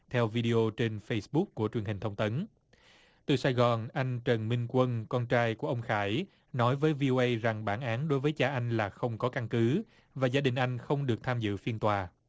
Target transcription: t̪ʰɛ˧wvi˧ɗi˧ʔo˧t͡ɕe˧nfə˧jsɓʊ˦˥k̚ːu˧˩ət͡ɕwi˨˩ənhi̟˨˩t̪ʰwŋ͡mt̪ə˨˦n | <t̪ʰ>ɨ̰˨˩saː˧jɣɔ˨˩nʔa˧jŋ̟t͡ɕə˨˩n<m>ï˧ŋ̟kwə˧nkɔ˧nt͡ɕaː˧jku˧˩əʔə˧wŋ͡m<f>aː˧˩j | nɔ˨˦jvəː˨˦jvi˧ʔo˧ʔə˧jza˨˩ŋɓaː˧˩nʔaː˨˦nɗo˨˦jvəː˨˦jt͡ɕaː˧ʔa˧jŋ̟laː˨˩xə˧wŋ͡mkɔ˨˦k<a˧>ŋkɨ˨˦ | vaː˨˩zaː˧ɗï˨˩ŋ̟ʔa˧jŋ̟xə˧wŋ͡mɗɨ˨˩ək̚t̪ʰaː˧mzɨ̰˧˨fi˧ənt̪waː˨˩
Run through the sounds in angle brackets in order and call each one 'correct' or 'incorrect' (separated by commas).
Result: incorrect, correct, incorrect, correct